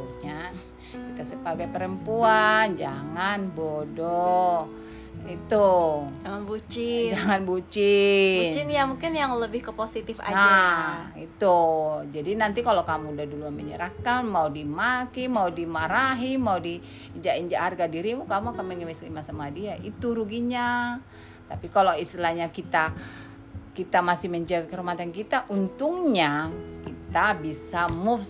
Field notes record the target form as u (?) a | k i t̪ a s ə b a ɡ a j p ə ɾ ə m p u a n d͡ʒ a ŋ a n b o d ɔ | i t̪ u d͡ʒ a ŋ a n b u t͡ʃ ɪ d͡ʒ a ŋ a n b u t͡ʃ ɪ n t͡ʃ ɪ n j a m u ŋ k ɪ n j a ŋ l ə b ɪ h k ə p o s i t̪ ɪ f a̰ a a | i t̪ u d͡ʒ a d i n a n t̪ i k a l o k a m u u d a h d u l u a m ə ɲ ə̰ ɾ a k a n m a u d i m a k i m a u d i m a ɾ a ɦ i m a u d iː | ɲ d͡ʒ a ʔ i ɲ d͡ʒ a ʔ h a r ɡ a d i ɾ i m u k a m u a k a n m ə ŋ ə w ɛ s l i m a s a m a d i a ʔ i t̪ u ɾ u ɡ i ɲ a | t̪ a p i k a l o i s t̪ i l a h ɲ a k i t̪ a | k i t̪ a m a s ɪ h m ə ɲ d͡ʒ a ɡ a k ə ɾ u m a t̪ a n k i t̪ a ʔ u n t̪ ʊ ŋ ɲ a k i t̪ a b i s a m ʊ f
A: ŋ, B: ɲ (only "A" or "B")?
B